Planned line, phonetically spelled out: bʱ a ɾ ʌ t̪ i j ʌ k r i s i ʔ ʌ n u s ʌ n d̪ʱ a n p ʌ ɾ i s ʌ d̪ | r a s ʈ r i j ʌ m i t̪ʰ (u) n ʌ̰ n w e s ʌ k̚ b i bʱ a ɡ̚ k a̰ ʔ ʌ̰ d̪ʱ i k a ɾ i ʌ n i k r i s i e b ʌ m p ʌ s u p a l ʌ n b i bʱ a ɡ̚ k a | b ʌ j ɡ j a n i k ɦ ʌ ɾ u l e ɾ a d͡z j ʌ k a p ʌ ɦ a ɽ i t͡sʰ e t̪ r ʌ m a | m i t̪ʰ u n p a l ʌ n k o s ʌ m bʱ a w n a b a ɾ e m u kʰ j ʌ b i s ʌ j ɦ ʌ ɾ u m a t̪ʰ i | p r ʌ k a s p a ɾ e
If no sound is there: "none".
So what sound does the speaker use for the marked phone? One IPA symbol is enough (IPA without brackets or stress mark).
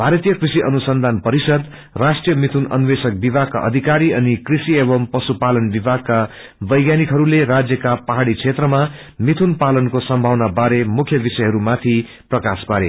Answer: u